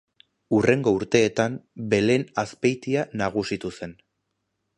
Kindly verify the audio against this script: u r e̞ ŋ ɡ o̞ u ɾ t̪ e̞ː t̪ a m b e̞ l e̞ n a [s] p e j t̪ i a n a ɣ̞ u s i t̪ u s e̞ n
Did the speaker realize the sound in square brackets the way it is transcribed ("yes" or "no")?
yes